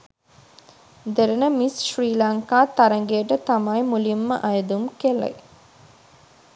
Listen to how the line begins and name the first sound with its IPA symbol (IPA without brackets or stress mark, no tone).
d̪